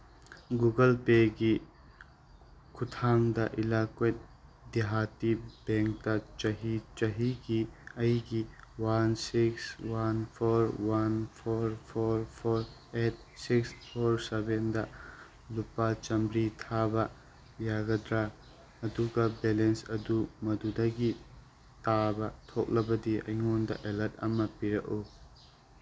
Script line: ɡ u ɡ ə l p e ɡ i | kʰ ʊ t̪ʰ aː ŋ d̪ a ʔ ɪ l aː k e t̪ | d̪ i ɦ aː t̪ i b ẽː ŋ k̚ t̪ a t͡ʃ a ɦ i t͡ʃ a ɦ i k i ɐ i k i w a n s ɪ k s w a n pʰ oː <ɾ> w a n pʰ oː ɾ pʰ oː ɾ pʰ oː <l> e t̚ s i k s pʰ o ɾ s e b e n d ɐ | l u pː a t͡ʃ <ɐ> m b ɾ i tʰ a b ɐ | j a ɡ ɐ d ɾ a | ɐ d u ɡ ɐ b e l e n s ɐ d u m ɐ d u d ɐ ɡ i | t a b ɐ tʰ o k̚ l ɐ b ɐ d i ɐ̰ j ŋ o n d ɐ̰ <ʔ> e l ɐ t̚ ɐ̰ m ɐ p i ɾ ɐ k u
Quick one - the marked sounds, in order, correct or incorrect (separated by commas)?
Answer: correct, incorrect, correct, correct